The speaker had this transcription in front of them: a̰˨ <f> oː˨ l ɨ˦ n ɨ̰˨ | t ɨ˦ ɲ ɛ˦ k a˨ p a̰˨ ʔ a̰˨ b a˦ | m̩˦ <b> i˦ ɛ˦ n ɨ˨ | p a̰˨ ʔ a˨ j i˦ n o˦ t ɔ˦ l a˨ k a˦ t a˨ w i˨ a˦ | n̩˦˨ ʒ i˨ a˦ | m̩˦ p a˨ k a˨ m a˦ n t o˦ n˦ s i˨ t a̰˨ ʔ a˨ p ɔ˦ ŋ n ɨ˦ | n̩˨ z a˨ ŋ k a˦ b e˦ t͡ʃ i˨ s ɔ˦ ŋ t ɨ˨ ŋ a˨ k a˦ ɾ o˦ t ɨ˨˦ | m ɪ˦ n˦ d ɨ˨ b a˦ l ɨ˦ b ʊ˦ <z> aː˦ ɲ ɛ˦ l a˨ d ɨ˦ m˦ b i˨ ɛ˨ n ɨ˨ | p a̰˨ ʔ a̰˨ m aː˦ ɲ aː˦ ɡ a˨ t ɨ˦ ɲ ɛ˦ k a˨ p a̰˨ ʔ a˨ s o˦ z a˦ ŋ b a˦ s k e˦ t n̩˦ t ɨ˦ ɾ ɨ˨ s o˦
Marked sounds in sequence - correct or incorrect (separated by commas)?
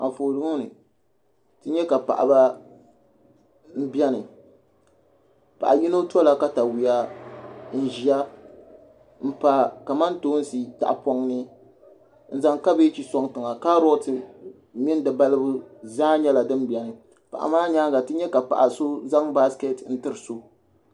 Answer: correct, correct, correct